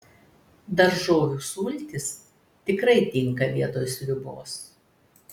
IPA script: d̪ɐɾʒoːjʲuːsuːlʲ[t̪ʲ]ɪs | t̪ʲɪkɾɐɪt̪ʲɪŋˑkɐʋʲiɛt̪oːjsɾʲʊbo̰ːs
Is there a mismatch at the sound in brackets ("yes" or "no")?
no